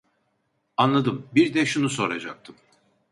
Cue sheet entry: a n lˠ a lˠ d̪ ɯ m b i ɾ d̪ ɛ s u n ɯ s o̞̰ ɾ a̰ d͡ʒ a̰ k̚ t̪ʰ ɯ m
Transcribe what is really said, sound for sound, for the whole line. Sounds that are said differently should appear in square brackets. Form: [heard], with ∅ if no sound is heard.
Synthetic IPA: a n lˠ a [∅] d̪ ɯ m b i ɾ d̪ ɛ [ʃ] u n [u] s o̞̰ ɾ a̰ d͡ʒ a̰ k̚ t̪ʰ ɯ m